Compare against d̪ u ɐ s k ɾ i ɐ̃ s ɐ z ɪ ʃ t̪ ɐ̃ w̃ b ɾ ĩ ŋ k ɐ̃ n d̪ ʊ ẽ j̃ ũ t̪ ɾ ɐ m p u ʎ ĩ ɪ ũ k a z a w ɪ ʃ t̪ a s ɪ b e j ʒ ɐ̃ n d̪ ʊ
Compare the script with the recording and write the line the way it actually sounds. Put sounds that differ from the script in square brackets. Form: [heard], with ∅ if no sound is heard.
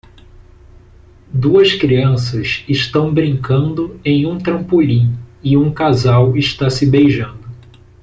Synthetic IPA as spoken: d̪ u ɐ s k ɾ i ɐ̃ s ɐ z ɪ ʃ t̪ ɐ̃ w̃ b ɾ ĩ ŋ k ɐ̃ n d̪ ʊ ẽ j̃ ũ t̪ ɾ [ɐ̃] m p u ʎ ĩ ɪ ũ k a z a w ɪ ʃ t̪ a s ɪ b e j ʒ ɐ̃ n d̪ ʊ